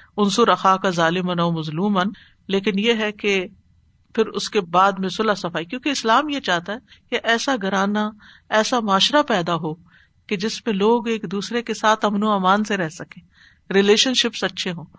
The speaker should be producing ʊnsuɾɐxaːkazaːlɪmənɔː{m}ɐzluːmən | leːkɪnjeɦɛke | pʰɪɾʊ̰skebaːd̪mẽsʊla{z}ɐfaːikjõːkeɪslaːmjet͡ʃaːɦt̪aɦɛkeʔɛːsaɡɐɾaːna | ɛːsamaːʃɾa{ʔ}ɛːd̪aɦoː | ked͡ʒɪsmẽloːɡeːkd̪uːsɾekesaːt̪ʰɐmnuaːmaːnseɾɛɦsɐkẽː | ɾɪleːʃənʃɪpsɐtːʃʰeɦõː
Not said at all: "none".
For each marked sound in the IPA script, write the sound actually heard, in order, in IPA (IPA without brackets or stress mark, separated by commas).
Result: m, s, p